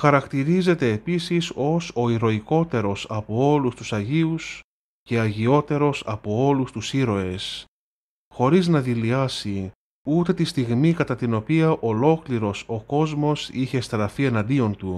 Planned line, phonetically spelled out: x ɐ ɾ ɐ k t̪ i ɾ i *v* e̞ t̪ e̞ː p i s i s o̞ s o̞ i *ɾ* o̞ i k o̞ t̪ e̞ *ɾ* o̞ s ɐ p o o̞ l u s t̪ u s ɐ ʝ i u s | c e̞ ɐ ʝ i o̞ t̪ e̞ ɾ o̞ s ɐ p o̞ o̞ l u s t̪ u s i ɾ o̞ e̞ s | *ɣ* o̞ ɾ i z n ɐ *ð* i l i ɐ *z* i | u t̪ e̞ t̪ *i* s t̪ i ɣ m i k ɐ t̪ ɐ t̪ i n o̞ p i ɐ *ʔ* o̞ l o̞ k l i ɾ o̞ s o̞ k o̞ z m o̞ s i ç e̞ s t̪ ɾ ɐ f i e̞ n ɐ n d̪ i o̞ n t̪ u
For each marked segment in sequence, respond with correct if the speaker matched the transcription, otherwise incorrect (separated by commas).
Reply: incorrect, correct, correct, incorrect, correct, incorrect, correct, correct